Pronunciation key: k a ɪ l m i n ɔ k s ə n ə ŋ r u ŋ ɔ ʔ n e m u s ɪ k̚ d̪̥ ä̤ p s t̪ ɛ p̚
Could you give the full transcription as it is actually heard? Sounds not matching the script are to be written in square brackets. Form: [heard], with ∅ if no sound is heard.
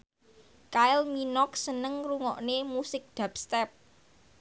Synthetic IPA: k a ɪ l m i n ɔ k s ə n ə ŋ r u ŋ ɔ ʔ n e m u s ɪ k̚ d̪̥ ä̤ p s t̪ ɛ p̚